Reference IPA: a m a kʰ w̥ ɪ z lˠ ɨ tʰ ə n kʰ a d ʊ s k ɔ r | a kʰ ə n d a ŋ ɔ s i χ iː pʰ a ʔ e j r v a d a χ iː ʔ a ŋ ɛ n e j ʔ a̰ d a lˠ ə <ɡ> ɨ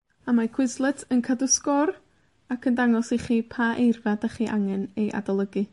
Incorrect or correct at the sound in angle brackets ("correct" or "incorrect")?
correct